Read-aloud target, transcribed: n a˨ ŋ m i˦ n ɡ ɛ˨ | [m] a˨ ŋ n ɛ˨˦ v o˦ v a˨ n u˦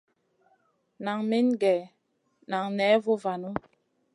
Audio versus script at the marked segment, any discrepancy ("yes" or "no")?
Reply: yes